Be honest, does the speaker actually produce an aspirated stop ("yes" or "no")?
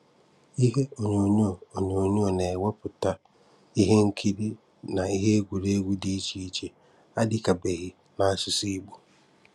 yes